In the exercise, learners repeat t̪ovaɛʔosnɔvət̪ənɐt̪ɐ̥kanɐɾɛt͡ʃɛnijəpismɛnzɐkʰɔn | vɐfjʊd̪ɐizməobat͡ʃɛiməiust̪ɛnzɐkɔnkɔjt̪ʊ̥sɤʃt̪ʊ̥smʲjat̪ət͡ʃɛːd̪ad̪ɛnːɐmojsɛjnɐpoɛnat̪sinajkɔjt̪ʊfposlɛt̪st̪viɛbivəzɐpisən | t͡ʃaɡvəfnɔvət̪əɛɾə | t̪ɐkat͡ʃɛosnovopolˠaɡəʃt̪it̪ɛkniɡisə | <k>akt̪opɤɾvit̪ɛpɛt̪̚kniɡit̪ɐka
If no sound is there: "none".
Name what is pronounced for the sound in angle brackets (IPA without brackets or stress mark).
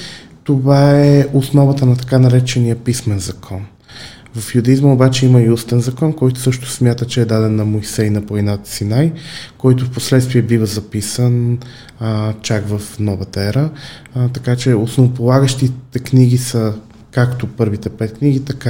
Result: k